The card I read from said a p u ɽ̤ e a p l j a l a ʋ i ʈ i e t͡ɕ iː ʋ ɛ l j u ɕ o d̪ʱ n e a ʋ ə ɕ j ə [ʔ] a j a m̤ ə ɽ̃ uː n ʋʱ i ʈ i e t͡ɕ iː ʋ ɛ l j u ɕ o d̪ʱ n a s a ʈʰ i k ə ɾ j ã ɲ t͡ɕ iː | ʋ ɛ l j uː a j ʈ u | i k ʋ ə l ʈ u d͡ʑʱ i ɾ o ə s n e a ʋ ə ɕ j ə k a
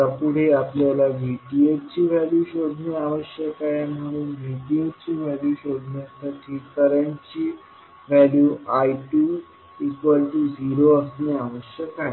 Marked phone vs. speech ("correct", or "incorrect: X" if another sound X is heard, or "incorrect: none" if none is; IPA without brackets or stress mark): incorrect: k